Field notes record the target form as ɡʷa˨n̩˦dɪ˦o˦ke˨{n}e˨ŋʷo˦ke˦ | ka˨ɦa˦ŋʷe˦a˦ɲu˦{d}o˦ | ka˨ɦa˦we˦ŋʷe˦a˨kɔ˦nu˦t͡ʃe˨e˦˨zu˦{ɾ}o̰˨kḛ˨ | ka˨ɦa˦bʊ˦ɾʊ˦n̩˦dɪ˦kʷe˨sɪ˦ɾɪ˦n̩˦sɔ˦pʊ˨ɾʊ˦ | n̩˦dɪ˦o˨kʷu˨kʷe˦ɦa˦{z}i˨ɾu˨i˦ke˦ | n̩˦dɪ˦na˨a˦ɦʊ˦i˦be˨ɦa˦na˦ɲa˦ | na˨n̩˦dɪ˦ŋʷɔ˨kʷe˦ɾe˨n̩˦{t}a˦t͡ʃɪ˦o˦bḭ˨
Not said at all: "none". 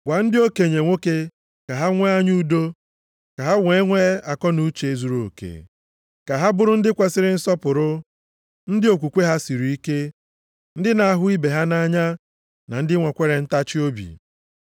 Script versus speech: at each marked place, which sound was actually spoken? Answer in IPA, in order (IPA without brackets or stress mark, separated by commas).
ɲ, d, ɾ, s, t